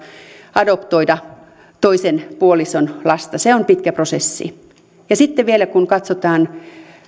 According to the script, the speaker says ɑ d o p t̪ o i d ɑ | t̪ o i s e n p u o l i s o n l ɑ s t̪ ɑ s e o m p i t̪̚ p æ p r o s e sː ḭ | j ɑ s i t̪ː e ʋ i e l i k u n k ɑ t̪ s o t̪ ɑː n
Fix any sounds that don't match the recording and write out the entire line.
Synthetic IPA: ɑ d o p t̪ o i d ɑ | t̪ o i s e n p u o l i s o n l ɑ s t̪ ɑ s e o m p i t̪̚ k æ p r o s e sː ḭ | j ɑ s i t̪ː e ʋ i e l æ k u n k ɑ t̪ s o t̪ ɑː n

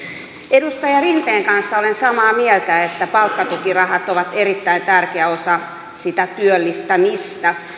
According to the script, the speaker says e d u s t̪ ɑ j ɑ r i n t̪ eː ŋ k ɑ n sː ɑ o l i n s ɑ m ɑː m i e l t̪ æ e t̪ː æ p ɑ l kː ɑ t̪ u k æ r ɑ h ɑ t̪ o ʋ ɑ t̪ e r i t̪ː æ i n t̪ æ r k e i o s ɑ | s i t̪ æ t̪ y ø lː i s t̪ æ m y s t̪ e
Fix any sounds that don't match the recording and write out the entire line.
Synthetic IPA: e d u s t̪ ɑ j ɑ r i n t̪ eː ŋ k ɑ n sː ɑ o l e n s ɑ m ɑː m i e l t̪ æ e t̪ː æ p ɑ l kː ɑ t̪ u k i r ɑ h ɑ t̪ o ʋ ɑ t̪ e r i t̪ː æ i n t̪ æ r k e æ o s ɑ | s i t̪ æ t̪ y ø lː i s t̪ æ m i s t̪ æ

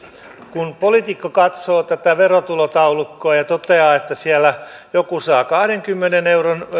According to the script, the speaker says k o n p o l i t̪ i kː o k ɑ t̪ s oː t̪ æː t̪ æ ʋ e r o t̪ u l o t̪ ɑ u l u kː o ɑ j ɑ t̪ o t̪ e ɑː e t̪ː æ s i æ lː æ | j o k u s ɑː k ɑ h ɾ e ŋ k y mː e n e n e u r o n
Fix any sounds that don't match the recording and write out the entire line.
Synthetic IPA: k u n p o l i t̪ i kː o k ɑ t̪ s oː t̪ æ t̪ æ ʋ e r o t̪ u l o t̪ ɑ u l u kː o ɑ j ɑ t̪ o t̪ e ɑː e t̪ː æ s i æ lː æ | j o k u s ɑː k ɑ h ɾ e ŋ k y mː e n e n e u r o n

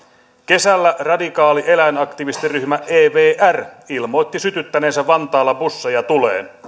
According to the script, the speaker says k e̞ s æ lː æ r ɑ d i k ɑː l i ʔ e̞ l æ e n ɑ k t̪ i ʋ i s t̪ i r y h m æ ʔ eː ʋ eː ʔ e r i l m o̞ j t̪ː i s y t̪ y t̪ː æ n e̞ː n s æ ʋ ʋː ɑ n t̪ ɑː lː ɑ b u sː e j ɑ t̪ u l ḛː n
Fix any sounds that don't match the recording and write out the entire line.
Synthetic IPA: k e̞ s æ lː æ r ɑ d i k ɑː l i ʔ e̞ l æ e n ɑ k t̪ i ʋ i s t̪ i r y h m æ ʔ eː ʋ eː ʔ æ r i l m o̞ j t̪ː i s y t̪ y t̪ː æ n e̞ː n s æ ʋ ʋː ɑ n t̪ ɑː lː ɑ b u sː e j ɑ t̪ u l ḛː n

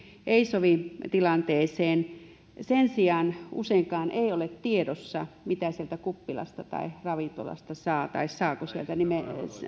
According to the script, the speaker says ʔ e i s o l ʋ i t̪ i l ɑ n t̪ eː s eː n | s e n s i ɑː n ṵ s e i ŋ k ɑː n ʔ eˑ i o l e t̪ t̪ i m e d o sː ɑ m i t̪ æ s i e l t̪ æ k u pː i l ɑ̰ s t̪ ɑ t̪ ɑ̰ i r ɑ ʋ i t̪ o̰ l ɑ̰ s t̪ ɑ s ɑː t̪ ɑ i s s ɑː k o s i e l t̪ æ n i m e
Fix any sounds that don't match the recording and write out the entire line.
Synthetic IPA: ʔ e i s o ʋ i t̪ i l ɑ n t̪ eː s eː n | s e n s i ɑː n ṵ s e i ŋ k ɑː n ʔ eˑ i o l e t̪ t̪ i e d o sː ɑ m i t̪ æ s i e l t̪ æ k u pː i l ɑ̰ s t̪ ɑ t̪ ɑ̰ i r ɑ ʋ i t̪ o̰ l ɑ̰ s t̪ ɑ s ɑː t̪ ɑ i s s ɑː k o s i e l t̪ æ n i m e

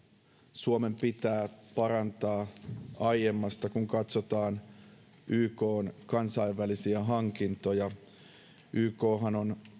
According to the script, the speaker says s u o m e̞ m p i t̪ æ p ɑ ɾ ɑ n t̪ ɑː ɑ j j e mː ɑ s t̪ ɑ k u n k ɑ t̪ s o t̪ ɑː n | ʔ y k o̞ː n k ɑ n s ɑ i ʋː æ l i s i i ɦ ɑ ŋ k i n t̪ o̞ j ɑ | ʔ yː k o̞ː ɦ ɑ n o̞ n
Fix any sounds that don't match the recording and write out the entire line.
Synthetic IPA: s u o m e̞ m p i t̪ æː p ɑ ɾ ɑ n t̪ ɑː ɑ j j e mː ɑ s t̪ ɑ k u ŋ k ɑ t̪ s o t̪ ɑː n | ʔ yː k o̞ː n k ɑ n s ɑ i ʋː æ l i s i æ ɦ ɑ ŋ k i n t̪ o̞ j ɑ | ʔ yː k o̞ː ɦ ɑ n o̞ n

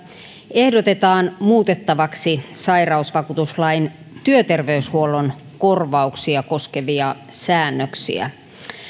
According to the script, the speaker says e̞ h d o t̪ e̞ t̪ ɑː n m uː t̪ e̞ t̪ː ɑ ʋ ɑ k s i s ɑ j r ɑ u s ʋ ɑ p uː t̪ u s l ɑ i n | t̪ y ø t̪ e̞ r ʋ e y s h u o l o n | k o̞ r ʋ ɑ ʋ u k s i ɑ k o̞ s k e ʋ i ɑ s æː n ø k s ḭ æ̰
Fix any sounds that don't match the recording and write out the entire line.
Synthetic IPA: e̞ h d o t̪ e̞ t̪ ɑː n m uː t̪ e̞ t̪ː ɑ ʋ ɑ k s i s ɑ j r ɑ u s ʋ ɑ k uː t̪ u s l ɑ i n | t̪ y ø t̪ e̞ r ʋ e y s h u o l o n | k o̞ r ʋ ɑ u k s i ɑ k o̞ s k e ʋ i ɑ s æː nː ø k s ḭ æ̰

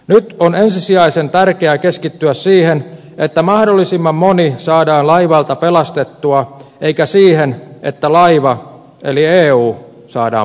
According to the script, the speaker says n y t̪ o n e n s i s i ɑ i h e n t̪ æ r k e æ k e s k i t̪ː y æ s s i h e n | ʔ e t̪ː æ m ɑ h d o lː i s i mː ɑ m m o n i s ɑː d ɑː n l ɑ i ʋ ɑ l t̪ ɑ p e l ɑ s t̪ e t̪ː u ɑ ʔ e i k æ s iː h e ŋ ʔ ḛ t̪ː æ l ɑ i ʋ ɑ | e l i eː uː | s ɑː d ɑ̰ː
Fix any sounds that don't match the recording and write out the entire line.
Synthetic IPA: n y t̪ o n e n s i s i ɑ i s e n t̪ æ r k e æ k e s k i t̪ː y æ s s iː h e n | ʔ e t̪ː æ m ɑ h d o lː i s i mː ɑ m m o n i s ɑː d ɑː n l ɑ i ʋ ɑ l t̪ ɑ p e l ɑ s t̪ e t̪ː u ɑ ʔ e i k æ s iː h e n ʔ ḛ t̪ː æ l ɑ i ʋ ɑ | e l i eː uː | s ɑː d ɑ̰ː

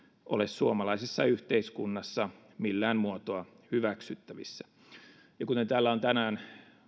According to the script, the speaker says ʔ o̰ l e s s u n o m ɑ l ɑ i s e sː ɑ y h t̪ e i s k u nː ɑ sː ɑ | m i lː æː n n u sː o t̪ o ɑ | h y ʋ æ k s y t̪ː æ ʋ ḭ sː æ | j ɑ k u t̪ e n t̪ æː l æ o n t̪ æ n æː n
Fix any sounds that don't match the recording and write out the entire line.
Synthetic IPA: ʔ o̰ l e s s u o m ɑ l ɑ i s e sː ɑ y h t̪ e i s k u nː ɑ sː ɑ | m i lː æː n m u o t̪ o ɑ | h y ʋ æ k s y t̪ː æ ʋ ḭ sː æ | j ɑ k u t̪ e n t̪ æː lː æ o n t̪ æ n æː n

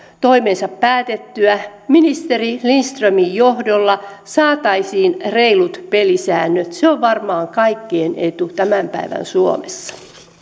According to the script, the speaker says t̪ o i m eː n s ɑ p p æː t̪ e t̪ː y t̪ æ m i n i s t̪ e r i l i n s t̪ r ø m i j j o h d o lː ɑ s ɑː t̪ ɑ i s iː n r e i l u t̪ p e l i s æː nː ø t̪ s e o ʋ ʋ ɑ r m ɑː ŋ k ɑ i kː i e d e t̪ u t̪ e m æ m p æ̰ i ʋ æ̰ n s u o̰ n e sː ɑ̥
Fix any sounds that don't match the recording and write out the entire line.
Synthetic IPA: t̪ o i m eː n s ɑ p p æː t̪ e t̪ː y æ m i n i s t̪ e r i l i n s t̪ r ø m i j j o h d o lː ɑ s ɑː t̪ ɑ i s iː n r e i l u t̪ p e l i s æː nː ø t̪ s e o ʋ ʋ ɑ r m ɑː ŋ k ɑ i kː i e n e t̪ u t̪ æ m æ m p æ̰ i ʋ æ̰ n s u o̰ m e sː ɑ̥

